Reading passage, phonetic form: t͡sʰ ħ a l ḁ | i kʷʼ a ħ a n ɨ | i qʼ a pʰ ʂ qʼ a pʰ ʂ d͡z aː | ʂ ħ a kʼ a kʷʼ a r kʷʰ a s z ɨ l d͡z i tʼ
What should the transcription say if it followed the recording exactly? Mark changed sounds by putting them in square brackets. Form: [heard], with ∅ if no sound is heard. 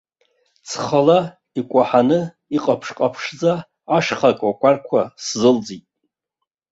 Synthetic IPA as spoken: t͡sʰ [χ] a l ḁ | i kʷʼ a ħ a n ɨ | i qʼ a pʰ ʂ qʼ a pʰ ʂ d͡z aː | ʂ [χ] a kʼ a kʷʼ a r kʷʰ a s z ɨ l d͡z i tʼ